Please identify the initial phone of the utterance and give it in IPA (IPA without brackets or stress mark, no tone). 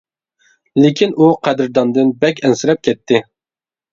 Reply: l